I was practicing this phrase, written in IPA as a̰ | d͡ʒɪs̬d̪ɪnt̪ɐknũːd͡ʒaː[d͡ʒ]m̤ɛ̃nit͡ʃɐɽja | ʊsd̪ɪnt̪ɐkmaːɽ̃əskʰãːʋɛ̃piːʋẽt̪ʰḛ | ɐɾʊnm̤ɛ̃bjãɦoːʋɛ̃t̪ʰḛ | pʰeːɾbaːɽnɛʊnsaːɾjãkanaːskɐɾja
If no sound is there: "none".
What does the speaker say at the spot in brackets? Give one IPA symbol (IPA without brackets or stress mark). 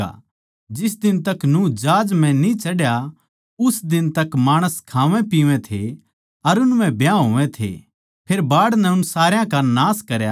d͡ʒ